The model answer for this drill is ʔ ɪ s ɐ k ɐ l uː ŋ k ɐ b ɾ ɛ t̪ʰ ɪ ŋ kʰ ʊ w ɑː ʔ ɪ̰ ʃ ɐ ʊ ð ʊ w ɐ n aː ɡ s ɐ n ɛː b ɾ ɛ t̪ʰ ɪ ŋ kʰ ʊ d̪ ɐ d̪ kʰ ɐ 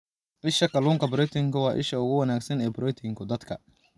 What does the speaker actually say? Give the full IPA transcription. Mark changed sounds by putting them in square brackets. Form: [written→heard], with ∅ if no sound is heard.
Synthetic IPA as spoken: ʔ ɪ [s→ʃ] ɐ k ɐ l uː ŋ k ɐ b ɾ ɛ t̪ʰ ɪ ŋ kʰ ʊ w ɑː ʔ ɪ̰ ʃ ɐ ʊ [ð→ɣ] ʊ w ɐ n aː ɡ s ɐ n ɛː b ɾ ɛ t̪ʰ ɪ ŋ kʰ ʊ d̪ ɐ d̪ kʰ ɐ